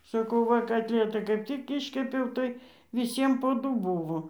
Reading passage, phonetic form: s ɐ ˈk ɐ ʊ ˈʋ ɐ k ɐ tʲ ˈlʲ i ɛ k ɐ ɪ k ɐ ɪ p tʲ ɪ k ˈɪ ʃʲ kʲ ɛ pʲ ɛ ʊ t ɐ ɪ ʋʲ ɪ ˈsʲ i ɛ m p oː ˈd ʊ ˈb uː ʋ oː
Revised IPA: s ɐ ˈk ɐ ʊ ˈʋ ɐ k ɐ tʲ ˈlʲ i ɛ t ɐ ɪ k ɐ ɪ p tʲ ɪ k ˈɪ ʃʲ kʲ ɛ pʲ ɛ ʊ t ɐ ɪ ʋʲ ɪ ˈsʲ i ɛ m p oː ˈd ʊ ˈb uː ʋ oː